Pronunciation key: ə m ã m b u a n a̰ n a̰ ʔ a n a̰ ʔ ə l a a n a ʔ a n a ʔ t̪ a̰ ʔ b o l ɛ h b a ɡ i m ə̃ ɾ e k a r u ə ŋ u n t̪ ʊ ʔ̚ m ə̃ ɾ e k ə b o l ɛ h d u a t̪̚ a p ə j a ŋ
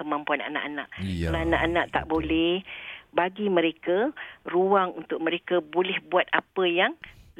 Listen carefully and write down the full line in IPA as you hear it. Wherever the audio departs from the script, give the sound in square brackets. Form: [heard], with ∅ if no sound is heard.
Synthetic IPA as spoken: ə m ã m [p] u a n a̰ n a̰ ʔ a n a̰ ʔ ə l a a n a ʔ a n a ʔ t̪ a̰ ʔ b o l ɛ h b a ɡ i m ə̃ ɾ e k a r u [a] ŋ u n t̪ ʊ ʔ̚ m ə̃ ɾ e k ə b o l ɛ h [b] u a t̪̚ a p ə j a ŋ